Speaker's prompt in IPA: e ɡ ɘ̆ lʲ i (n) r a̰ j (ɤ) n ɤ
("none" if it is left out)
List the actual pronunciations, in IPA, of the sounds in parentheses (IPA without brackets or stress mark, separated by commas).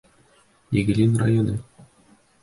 n, o